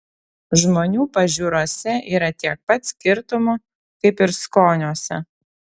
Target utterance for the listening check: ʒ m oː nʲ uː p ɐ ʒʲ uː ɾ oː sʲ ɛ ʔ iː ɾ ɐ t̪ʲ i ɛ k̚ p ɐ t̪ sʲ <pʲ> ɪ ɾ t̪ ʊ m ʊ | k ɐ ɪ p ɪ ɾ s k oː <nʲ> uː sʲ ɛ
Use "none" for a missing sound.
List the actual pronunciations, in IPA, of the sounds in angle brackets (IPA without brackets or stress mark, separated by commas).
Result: kʲ, nʲ